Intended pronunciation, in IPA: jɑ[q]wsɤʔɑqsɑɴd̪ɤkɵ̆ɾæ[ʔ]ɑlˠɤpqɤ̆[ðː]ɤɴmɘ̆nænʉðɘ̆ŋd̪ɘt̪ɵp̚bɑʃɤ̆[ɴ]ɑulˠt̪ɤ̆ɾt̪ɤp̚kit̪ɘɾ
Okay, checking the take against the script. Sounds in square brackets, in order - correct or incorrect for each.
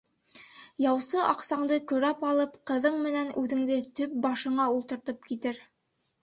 incorrect: none, incorrect: p, incorrect: ð, correct

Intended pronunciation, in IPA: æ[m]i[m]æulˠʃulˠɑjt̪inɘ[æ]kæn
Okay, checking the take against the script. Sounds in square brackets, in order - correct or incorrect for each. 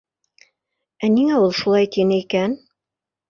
incorrect: n, incorrect: ŋ, incorrect: i

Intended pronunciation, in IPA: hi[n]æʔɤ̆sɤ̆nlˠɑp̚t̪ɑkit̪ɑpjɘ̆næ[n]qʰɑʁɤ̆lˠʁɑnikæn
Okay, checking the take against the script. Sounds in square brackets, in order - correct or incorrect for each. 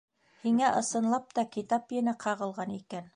incorrect: ŋ, incorrect: none

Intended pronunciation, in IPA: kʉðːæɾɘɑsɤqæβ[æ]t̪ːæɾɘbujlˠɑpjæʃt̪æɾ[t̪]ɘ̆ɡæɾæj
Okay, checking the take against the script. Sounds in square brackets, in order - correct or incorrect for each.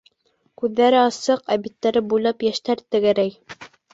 incorrect: i, correct

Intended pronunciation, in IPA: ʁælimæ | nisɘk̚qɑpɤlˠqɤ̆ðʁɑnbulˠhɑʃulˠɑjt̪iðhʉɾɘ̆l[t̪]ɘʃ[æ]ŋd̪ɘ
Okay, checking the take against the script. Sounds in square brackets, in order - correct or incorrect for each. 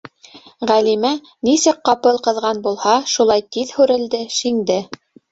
incorrect: d̪, incorrect: i

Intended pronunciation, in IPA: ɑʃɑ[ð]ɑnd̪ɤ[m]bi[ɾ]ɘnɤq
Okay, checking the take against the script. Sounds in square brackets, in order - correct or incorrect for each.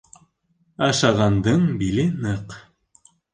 incorrect: ʁ, incorrect: ɴ, incorrect: l

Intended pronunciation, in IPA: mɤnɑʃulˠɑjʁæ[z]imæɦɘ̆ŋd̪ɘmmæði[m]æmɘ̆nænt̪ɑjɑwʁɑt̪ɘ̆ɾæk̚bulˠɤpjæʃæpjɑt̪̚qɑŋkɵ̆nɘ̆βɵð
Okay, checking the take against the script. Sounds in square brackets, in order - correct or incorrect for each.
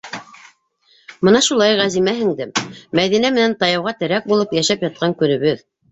correct, incorrect: n

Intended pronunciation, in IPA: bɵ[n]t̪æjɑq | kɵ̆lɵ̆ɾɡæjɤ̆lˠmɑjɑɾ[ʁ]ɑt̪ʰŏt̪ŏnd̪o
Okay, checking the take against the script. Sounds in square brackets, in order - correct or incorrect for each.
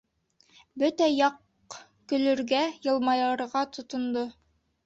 incorrect: none, correct

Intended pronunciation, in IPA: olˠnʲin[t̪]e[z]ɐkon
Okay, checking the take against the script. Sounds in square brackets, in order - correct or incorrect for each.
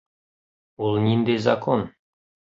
incorrect: d̪, correct

